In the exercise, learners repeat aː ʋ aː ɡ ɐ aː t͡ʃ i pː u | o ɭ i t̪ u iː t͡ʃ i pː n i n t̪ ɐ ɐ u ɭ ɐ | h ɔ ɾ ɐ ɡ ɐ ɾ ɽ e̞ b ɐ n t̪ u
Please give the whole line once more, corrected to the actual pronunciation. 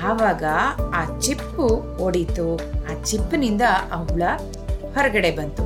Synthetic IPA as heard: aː ʋ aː ɡ ɐ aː t͡ʃ i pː u | o ɽ i t̪ u aː t͡ʃ i pː n i n d̪ ɐ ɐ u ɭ ɐ | h ɔ ɾ ɐ ɡ ɐ ɽ e̞ b ɐ n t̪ u